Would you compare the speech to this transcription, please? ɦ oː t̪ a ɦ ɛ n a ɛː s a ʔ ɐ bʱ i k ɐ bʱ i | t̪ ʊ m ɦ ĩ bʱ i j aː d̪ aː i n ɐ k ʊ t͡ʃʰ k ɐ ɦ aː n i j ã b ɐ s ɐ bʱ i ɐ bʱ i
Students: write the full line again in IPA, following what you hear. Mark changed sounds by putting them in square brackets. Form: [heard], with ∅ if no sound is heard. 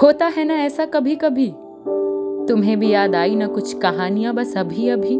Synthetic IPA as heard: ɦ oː t̪ a ɦ ɛ n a ɛː s a [k] ɐ bʱ i k ɐ bʱ i | t̪ ʊ m ɦ [ẽ] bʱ i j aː d̪ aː i n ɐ k ʊ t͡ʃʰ k ɐ ɦ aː n i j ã b ɐ s ɐ bʱ i ɐ bʱ i